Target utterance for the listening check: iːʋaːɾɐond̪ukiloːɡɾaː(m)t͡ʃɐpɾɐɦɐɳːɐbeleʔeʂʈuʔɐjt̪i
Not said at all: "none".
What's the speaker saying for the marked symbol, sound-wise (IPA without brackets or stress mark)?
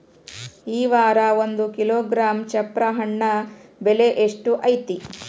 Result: m